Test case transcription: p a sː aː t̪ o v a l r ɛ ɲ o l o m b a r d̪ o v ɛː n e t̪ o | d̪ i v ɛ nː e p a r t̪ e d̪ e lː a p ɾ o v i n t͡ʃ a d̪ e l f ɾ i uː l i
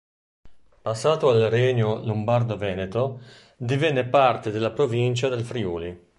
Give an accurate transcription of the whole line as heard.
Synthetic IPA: p a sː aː t̪ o a l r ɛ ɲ o l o m b a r d̪ o v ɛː n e t̪ o | d̪ i v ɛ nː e p a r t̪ e d̪ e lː a p ɾ o v i n t͡ʃ a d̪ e l f ɾ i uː l i